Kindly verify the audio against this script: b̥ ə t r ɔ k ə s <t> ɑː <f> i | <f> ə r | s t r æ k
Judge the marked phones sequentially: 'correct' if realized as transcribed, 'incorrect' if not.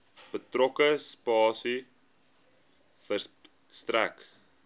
incorrect: p, incorrect: s, correct

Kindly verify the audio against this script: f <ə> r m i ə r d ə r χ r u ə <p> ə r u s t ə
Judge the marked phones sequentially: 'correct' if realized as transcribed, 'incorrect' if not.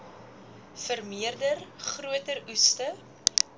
correct, incorrect: t

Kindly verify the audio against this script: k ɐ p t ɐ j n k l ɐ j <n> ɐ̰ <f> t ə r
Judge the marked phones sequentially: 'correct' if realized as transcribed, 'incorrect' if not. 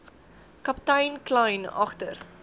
correct, incorrect: χ

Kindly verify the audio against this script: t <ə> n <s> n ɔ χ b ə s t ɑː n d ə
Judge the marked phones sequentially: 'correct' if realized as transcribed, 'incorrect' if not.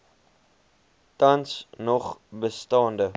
incorrect: ɐ, correct

